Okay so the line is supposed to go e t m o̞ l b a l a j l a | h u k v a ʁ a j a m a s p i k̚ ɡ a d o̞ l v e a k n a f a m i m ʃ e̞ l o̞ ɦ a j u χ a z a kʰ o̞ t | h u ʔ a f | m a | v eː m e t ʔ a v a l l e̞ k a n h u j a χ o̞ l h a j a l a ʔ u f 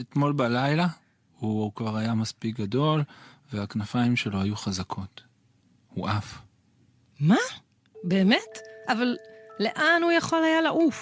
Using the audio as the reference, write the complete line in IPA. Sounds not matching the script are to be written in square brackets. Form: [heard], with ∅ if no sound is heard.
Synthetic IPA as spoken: e t m o̞ l b a l a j l a | h u k v a ʁ a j a m a s p i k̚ ɡ a d o̞ l v e a k n a f a [∅] i m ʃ e̞ l o̞ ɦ a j u χ a z a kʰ o̞ t | h u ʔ a f | m a | [b] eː m e t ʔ a v a l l e̞ [ʔ] a n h u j a χ o̞ l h a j a l a ʔ u f